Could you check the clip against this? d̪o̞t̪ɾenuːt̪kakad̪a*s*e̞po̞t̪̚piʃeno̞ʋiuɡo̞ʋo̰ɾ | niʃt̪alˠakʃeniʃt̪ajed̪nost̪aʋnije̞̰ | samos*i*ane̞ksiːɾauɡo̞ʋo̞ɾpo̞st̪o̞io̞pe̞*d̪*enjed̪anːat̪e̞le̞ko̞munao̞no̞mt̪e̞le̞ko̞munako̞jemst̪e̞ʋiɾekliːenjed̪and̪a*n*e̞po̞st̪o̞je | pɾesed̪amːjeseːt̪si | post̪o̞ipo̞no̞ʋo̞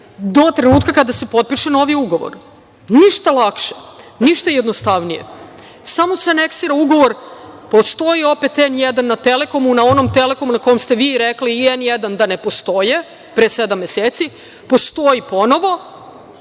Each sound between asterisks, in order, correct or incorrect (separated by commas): correct, incorrect, incorrect, correct